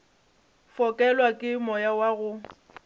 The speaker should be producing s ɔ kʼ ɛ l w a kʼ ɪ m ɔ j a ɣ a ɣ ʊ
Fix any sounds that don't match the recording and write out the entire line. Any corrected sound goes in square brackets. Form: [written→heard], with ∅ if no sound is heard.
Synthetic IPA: [s→f] ɔ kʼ ɛ l w a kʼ ɪ m ɔ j a [ɣ→w] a ɣ ʊ